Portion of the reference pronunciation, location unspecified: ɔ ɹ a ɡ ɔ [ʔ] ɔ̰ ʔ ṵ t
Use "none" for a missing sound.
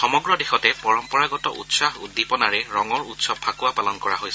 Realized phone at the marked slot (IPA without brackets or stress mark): t